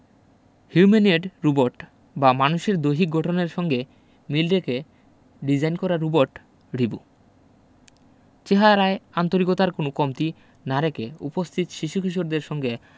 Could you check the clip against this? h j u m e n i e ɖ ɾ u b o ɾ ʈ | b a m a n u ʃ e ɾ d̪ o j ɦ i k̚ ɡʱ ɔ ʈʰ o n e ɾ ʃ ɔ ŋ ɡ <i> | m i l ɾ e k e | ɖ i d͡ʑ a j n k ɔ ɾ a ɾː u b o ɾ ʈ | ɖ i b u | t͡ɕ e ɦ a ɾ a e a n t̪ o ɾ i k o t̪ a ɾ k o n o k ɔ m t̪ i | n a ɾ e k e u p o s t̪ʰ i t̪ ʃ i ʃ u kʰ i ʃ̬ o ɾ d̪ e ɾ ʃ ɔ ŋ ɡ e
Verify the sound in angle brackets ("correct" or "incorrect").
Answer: incorrect